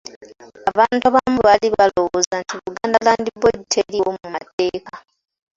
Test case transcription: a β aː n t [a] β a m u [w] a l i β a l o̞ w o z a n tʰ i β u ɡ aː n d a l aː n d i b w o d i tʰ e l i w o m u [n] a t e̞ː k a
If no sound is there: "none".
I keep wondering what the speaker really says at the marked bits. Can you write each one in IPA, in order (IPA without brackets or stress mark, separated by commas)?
a, β, m